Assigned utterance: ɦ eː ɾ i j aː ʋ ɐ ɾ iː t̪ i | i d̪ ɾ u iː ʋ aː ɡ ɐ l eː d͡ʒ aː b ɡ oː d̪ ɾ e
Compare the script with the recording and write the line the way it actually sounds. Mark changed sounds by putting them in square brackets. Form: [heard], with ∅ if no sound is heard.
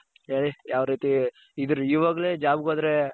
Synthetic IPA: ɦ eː [ɭ] i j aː ʋ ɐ ɾ iː t̪ i | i d̪ ɾ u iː ʋ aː ɡ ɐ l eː d͡ʒ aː b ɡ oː d̪ ɾ e